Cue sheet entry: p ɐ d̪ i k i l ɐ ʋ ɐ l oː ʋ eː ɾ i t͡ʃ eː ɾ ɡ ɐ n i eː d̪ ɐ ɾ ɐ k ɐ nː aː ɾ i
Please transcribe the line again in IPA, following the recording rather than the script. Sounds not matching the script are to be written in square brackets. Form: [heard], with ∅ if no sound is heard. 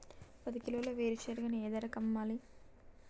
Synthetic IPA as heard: p ɐ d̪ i k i l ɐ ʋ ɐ l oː ʋ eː ɾ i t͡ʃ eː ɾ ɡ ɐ n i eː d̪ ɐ ɾ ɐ k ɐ [mː] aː [l] i